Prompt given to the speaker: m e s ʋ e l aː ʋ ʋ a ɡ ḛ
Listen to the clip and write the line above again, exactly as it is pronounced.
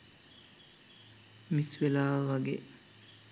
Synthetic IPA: m i s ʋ e l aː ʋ ʋ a ɡ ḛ

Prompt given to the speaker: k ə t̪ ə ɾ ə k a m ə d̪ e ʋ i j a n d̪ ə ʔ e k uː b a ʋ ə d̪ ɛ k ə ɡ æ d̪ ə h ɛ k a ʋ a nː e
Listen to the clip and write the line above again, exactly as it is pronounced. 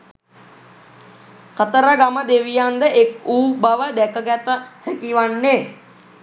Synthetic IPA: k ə t̪ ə ɾ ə ɡ a m ə d̪ e ʋ i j a n d̪ ə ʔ e k uː b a ʋ ə d̪ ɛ k ə ɡ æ t̪ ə h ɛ k i ʋ a nː e

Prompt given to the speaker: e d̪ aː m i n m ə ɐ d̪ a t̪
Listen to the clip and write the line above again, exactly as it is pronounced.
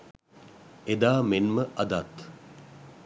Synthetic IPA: e d̪ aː m e n m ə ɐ d̪ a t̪

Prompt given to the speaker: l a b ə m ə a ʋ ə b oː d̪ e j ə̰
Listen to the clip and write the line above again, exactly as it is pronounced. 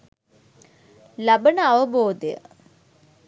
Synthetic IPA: l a b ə n ə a ʋ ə b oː d̪ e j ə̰

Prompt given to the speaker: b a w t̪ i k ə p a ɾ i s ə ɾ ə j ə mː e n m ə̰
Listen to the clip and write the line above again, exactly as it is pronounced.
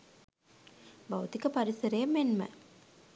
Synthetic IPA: b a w t̪ i k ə p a ɾ i s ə ɾ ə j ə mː e n m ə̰

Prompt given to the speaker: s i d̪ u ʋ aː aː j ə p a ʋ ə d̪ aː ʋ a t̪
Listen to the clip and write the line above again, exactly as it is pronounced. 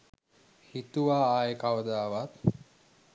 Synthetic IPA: h i t̪ u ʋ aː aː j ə k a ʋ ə d̪ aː ʋ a t̪

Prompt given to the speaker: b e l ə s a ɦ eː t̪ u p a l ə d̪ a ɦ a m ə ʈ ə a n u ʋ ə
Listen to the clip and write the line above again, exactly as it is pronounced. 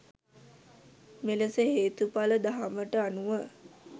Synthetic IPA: m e l ə s ə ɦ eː t̪ u p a l ə d̪ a ɦ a m ə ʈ ə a n u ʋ ə

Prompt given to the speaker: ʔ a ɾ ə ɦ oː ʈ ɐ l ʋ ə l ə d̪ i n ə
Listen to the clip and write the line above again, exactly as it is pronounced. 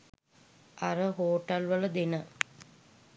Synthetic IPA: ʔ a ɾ ə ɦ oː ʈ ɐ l ʋ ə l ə d̪ e n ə

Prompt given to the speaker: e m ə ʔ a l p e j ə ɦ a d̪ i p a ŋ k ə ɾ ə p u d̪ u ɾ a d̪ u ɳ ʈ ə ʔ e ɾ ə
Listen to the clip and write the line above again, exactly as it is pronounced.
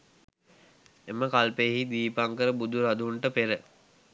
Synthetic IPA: e m ə k a l p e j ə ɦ i d̪ iː p a ŋ k ə ɾ ə b u d̪ u ɾ a d̪ u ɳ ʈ ə p e ɾ ə

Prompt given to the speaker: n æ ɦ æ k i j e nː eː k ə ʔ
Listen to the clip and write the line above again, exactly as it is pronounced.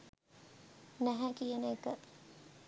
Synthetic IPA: n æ ɦ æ k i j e n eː k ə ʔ

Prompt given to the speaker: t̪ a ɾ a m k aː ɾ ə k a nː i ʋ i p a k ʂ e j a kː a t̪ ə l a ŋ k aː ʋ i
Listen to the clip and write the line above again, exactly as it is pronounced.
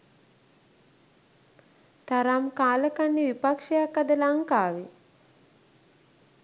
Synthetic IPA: t̪ a ɾ a m k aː l ə k a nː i ʋ i p a k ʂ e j a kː a d̪ ə l a ŋ k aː ʋ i

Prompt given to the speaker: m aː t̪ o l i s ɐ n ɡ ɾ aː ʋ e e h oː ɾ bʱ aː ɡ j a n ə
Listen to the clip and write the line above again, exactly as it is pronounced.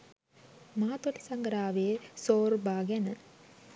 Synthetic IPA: m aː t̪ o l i s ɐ ŋ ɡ ɾ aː ʋ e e s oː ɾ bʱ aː ɡ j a n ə

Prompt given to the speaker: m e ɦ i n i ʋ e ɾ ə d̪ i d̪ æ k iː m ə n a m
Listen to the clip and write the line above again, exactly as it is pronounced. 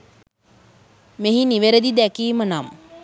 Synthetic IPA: m e ɦ i n i ʋ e ɾ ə d̪ i d̪ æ k iː m ə n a m

